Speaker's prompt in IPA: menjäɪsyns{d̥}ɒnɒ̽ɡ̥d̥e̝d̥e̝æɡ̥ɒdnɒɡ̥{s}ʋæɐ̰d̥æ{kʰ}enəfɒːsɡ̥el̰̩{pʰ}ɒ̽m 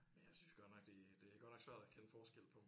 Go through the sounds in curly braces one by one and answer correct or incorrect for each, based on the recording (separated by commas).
incorrect, correct, correct, correct